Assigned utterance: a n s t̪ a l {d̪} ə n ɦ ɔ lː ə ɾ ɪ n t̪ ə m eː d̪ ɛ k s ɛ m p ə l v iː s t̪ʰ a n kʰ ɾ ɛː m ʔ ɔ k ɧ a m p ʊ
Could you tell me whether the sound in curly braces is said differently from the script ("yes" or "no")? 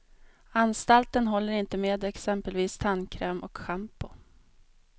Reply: yes